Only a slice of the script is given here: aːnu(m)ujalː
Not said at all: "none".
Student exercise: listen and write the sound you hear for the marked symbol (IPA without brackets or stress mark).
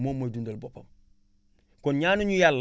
ɲ